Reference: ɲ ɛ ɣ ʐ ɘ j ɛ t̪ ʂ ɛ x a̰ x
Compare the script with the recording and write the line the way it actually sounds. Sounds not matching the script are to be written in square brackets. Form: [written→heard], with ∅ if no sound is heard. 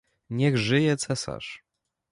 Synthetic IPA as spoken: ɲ ɛ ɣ ʐ ɘ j ɛ t̪ [ʂ→s] ɛ [x→s] a̰ [x→ʂ]

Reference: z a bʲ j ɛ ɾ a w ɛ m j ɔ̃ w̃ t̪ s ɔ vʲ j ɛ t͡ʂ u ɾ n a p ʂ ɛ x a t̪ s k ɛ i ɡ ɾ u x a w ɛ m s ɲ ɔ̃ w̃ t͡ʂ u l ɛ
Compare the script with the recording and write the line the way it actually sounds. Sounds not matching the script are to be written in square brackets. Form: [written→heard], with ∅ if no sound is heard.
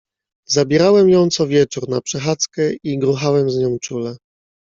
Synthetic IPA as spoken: z a bʲ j ɛ ɾ a w ɛ m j ɔ̃ w̃ t̪ s ɔ vʲ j ɛ t͡ʂ u ɾ n a p ʂ ɛ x a t̪ s k ɛ i ɡ ɾ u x a w ɛ m [s→z] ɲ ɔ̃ w̃ t͡ʂ u l ɛ

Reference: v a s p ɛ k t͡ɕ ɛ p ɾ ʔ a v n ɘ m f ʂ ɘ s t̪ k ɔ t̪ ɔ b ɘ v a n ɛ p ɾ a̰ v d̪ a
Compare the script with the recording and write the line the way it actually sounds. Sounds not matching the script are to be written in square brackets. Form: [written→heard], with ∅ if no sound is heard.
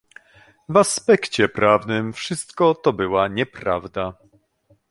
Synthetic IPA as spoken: v a s p ɛ k t͡ɕ ɛ p ɾ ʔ a v n ɘ m f ʂ ɘ s t̪ k ɔ t̪ ɔ b ɘ [v→w] a [n→ɲ] ɛ p ɾ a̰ v d̪ a

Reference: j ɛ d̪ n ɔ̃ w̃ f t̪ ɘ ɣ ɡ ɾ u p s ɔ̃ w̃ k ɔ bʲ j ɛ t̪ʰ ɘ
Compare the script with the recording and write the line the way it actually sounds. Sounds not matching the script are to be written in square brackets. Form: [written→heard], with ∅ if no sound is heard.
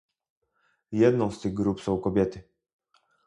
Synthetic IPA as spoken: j ɛ d̪ n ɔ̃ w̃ [f→s] t̪ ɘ ɣ ɡ ɾ u p s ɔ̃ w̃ k ɔ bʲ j ɛ [t̪ʰ→t̪] ɘ

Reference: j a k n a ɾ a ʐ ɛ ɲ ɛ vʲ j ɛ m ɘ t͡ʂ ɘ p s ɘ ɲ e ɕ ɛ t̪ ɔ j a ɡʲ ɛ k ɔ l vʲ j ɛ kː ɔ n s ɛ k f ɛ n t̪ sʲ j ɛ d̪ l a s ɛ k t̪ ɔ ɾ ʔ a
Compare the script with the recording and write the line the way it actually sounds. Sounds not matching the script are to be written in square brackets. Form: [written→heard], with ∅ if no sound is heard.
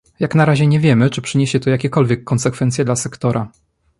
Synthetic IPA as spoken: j a k n a ɾ a [ʐ→ʑ] ɛ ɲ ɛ vʲ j ɛ m ɘ t͡ʂ ɘ p [s→ʂ] ɘ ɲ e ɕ ɛ t̪ ɔ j a [ɡʲ→kʲ] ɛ k ɔ l vʲ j ɛ kː ɔ n s ɛ k f ɛ n t̪ sʲ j ɛ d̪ l a s ɛ k t̪ ɔ ɾ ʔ a

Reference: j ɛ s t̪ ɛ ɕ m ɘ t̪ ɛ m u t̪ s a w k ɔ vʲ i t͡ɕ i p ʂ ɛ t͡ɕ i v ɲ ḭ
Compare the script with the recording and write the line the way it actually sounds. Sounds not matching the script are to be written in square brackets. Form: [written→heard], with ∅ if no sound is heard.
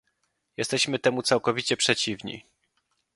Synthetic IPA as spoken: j ɛ s t̪ ɛ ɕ m ɘ t̪ ɛ m u t̪ s a w k ɔ vʲ i t͡ɕ [i→ɛ] p ʂ ɛ t͡ɕ i v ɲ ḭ

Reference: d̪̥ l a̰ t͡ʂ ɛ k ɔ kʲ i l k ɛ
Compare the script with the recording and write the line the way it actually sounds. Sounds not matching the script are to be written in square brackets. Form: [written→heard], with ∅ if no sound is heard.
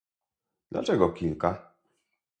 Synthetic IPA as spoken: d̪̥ l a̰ t͡ʂ ɛ [k→ɡ] ɔ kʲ i l k [ɛ→a]

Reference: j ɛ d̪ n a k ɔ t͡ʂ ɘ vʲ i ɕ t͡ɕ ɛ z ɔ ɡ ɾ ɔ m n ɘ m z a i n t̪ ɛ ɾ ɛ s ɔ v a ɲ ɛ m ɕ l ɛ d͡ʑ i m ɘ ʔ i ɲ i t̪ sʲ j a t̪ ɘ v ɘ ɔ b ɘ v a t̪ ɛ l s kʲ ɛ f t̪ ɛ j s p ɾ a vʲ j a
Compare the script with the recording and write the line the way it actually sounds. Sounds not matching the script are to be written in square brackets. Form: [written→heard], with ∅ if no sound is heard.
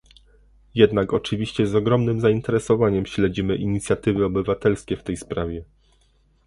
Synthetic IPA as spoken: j ɛ d̪ n a k ɔ t͡ʂ ɘ vʲ i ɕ t͡ɕ ɛ z ɔ ɡ ɾ ɔ m n ɘ m z a i n t̪ ɛ ɾ ɛ s ɔ v a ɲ ɛ m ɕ l ɛ d͡ʑ i m ɘ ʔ i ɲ i t̪ sʲ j a t̪ ɘ v ɘ ɔ b ɘ v a t̪ ɛ l s kʲ ɛ f t̪ ɛ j s p ɾ a vʲ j [a→ɛ]

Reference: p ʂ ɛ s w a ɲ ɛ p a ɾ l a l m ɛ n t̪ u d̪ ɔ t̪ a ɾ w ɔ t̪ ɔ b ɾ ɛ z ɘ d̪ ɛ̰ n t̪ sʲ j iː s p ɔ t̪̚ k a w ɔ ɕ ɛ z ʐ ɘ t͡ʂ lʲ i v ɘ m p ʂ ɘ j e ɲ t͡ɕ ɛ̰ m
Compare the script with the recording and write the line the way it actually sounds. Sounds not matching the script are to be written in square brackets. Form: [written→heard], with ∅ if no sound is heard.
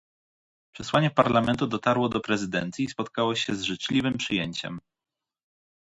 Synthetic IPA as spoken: p ʂ ɛ s w a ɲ ɛ p a ɾ l a [l→∅] m ɛ n t̪ u d̪ ɔ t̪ a ɾ w ɔ [t̪→d̪] ɔ [b→p] ɾ ɛ z ɘ d̪ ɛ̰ n t̪ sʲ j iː s p ɔ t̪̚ k a w ɔ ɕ ɛ z ʐ ɘ t͡ʂ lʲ i v ɘ m p ʂ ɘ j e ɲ t͡ɕ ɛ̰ m

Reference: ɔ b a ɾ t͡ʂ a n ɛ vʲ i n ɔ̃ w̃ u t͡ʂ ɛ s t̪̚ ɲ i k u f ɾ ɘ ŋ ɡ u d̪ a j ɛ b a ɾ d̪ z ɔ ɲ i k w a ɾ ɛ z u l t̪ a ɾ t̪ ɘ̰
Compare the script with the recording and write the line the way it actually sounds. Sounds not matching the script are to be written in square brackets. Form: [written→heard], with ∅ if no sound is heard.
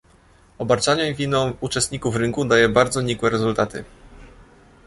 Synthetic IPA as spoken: ɔ b a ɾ t͡ʂ a [n→ɲ] ɛ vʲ i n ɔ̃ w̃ u t͡ʂ ɛ s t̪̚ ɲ i k u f ɾ ɘ ŋ [ɡ→k] u d̪ a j ɛ b a ɾ d̪ z ɔ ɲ i k w [a→ɛ] ɾ ɛ z u l t̪ a [ɾ→∅] t̪ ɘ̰

